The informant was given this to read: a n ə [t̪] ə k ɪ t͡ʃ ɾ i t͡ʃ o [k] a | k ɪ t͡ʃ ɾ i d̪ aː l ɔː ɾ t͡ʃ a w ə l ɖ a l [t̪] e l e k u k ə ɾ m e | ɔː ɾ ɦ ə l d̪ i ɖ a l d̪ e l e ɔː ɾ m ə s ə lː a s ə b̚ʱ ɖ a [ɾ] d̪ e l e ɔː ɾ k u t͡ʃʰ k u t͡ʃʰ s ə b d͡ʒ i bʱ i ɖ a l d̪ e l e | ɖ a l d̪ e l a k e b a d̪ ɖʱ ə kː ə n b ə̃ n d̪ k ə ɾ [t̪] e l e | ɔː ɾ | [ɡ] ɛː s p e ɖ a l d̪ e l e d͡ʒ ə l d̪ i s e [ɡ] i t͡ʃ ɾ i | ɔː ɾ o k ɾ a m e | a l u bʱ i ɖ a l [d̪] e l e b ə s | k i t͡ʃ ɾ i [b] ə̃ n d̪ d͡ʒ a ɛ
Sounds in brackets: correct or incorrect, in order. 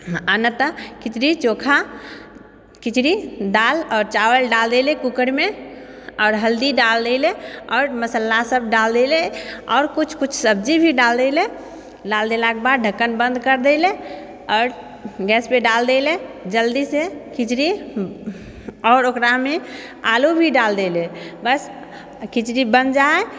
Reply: correct, incorrect, incorrect, incorrect, incorrect, correct, incorrect, correct, correct

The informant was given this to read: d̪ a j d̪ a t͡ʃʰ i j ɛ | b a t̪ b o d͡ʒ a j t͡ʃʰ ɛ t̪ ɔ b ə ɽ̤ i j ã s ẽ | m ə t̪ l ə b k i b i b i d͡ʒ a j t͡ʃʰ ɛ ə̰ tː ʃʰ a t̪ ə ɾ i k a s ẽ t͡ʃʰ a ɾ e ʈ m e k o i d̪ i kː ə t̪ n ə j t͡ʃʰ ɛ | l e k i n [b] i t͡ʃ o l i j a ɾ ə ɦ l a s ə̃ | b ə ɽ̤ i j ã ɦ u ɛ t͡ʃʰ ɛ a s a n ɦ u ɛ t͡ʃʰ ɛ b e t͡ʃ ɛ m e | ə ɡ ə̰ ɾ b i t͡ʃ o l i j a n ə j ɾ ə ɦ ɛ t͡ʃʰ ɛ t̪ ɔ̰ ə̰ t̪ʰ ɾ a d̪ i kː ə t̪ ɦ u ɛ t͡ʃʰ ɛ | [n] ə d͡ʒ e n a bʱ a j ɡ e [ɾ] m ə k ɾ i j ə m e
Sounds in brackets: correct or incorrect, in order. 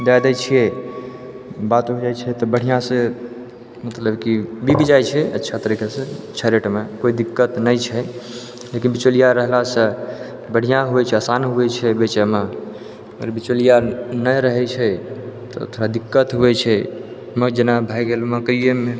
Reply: correct, incorrect, incorrect

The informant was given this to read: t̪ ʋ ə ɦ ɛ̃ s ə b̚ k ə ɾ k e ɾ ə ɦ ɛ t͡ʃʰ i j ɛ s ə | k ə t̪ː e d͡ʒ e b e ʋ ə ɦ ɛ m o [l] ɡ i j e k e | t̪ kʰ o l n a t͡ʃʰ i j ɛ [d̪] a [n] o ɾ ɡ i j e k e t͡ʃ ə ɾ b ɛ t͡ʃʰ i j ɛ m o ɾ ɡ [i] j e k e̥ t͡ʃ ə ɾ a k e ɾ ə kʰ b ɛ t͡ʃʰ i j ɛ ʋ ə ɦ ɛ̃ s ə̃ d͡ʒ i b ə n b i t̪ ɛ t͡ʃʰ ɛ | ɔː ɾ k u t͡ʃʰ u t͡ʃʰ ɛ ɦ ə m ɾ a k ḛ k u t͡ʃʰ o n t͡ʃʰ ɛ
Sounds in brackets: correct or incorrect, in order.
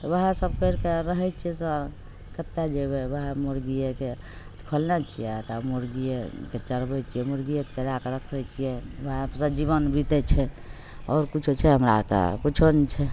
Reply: incorrect, incorrect, incorrect, correct

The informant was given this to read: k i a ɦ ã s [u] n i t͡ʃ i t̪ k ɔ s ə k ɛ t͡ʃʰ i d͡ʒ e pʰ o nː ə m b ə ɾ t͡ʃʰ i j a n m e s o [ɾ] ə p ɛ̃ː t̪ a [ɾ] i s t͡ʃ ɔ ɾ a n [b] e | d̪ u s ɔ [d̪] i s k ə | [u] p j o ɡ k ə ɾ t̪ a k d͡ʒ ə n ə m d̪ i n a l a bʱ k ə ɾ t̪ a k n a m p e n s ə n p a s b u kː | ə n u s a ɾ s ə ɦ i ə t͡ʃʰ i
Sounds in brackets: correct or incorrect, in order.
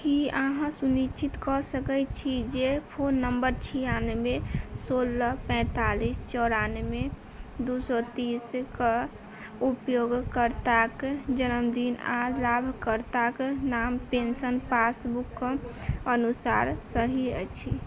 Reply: correct, incorrect, incorrect, incorrect, incorrect, correct

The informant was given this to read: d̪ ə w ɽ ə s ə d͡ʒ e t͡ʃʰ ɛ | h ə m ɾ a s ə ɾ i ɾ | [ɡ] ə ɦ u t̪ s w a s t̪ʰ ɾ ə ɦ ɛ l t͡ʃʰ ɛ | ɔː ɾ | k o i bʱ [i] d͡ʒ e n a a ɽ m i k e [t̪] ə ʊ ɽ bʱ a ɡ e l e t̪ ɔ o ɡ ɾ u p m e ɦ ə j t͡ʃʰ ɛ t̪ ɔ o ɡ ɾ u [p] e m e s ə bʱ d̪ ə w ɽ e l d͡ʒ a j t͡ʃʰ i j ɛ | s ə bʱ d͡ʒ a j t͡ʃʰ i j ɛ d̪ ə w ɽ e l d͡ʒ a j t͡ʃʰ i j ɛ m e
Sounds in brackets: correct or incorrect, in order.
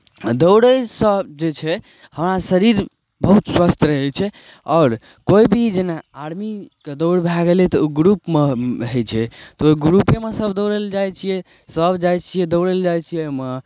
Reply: incorrect, correct, incorrect, correct

